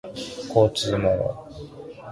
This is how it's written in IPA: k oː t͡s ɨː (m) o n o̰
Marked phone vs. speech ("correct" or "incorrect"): correct